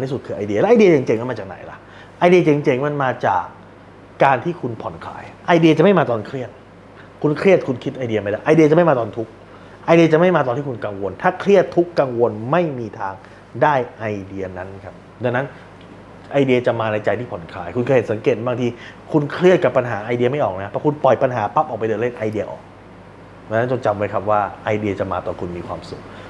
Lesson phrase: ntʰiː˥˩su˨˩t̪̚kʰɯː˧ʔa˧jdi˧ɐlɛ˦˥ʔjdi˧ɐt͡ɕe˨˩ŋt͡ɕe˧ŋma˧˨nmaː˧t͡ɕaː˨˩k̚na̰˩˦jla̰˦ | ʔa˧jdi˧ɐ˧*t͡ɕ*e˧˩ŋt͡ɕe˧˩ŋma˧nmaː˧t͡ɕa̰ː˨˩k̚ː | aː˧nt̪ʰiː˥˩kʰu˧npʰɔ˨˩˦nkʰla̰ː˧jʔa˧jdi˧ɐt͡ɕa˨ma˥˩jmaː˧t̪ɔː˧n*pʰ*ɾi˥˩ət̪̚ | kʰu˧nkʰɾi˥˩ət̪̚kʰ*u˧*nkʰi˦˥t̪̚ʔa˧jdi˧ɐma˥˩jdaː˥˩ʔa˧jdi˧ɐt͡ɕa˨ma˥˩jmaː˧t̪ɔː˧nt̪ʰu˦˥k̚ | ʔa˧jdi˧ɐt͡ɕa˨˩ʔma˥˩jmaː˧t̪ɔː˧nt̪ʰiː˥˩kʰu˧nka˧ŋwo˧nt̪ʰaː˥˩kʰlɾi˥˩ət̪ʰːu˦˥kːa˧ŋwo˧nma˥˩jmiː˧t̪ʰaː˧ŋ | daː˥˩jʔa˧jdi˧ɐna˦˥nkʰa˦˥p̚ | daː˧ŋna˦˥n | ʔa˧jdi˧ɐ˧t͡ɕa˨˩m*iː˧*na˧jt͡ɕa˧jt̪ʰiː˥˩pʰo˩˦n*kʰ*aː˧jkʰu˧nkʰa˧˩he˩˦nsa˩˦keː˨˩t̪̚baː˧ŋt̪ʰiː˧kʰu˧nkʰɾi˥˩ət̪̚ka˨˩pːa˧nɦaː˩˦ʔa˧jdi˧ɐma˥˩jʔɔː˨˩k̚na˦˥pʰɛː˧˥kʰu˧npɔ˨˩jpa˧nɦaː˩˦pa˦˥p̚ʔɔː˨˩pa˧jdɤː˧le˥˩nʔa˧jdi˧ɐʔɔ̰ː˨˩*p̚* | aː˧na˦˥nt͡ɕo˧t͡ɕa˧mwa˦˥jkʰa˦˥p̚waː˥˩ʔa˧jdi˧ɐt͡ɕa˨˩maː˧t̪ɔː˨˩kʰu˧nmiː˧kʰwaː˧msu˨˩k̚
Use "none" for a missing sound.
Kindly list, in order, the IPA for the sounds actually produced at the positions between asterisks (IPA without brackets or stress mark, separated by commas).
t͡ɕ, kʰ, u˧, aː˧, kʰ, k̚